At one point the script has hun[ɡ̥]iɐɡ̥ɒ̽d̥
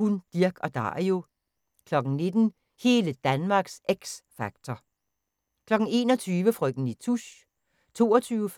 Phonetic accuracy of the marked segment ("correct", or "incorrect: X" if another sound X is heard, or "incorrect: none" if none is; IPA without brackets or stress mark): incorrect: d̥